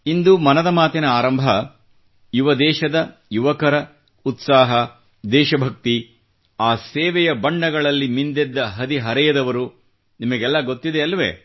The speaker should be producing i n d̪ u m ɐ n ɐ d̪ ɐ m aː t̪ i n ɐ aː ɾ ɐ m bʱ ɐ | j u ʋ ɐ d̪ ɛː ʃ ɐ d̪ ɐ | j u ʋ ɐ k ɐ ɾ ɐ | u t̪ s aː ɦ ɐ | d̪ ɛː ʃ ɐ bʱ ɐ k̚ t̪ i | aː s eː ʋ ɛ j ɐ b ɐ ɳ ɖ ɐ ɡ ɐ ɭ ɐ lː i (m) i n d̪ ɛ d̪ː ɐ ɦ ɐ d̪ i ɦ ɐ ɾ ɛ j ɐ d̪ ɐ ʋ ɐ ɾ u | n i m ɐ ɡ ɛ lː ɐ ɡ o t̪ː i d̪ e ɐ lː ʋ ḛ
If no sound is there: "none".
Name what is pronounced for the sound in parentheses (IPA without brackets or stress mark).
m